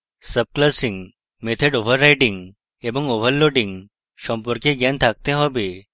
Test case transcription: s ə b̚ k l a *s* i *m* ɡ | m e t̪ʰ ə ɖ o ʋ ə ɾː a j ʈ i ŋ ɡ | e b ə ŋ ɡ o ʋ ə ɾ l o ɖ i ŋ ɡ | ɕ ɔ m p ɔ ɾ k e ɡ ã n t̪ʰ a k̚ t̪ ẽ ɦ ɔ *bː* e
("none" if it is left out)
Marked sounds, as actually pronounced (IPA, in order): s, ŋ, b

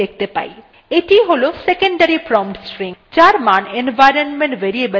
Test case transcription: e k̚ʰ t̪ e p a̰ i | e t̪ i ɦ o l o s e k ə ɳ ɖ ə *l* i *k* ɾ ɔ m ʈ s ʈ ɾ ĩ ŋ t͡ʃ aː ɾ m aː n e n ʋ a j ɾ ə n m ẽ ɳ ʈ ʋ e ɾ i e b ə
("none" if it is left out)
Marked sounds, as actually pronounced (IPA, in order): ɾ, p

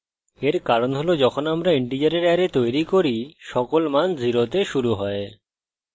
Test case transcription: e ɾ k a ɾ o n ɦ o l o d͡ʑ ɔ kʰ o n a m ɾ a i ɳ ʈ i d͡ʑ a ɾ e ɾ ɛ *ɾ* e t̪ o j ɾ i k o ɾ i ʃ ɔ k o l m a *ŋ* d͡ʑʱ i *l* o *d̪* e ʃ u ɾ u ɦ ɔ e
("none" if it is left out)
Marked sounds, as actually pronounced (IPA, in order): ɾ, n, ɾ, t̪

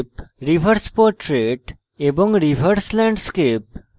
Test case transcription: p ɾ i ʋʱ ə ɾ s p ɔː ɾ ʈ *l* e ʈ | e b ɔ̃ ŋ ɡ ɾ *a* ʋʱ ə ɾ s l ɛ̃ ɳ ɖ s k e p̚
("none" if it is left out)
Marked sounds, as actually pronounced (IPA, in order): ɾ, i

